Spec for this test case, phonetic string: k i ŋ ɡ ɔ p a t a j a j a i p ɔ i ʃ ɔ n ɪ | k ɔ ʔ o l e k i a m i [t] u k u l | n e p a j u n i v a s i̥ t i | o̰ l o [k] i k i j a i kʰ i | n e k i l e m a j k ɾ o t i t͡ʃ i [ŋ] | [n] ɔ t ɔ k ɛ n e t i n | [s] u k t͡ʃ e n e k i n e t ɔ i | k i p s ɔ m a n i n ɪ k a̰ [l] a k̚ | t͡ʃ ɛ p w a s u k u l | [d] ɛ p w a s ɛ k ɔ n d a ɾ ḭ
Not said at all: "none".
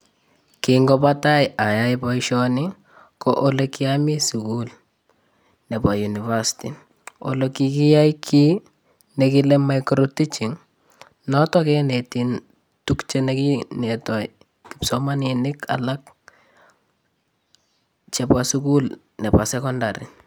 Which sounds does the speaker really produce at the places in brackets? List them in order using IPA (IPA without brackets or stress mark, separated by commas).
s, k, ŋ, n, t, l, n